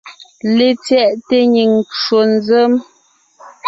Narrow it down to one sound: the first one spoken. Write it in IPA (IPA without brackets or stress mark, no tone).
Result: l